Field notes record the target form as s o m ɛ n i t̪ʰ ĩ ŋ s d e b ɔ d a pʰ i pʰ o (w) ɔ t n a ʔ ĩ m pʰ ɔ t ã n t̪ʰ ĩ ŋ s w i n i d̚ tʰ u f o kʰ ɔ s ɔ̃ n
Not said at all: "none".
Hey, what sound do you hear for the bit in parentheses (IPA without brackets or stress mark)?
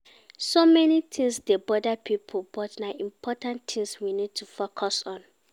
b